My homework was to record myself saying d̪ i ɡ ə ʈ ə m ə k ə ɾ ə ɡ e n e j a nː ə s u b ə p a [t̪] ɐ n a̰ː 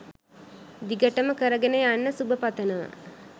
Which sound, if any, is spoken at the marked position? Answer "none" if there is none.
t̪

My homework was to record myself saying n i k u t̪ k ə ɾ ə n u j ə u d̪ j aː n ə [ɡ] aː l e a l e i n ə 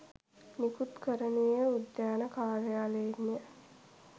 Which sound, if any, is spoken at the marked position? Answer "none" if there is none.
k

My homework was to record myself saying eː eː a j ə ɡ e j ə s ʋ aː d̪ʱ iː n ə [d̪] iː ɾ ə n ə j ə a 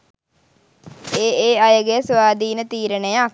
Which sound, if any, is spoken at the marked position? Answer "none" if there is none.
t̪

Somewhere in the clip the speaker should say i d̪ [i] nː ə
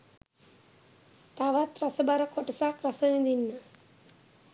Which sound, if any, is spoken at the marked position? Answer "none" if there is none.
i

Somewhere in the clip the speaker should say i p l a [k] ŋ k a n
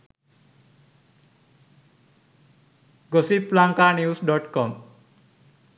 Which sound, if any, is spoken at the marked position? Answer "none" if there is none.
none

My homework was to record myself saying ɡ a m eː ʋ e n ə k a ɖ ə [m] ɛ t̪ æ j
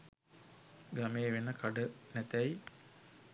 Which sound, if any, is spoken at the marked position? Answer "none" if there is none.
n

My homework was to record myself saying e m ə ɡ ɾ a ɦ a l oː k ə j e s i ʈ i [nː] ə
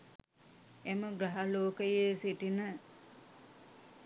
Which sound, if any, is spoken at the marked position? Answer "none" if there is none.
n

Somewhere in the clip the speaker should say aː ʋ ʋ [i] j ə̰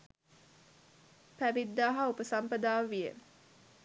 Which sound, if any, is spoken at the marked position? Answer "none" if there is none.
i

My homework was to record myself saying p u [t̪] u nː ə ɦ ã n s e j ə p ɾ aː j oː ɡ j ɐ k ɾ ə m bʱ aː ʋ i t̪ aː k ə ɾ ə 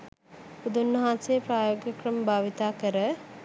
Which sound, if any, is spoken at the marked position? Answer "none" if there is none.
d̪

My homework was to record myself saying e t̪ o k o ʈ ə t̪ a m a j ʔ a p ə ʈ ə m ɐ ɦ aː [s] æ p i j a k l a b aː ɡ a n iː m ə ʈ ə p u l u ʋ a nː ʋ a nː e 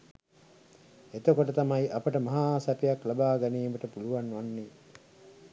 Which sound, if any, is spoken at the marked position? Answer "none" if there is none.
s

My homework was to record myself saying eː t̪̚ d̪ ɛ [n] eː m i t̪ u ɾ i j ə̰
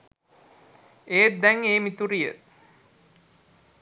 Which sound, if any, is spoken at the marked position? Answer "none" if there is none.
ŋ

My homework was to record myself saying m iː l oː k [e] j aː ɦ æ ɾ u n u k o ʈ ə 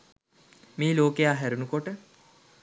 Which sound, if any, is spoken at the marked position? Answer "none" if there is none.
e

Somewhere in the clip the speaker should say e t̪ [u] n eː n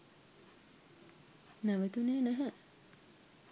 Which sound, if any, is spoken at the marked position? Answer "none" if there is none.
u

